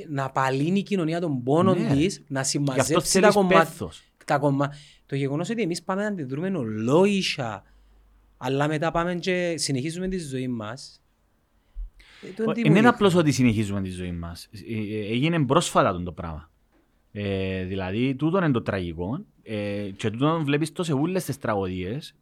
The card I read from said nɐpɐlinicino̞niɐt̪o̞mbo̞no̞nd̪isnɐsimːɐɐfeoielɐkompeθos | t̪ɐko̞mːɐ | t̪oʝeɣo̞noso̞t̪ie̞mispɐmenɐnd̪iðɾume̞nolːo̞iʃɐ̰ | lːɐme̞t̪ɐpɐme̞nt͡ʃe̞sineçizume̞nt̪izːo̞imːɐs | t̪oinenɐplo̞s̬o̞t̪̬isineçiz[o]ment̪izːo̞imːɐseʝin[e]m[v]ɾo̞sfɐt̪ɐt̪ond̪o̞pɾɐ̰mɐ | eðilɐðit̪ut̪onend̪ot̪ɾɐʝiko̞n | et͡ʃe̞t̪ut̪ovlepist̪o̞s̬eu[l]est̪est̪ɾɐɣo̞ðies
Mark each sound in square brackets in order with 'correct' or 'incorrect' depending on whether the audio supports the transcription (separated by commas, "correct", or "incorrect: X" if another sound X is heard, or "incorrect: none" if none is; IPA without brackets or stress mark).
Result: incorrect: u, correct, incorrect: b, incorrect: lː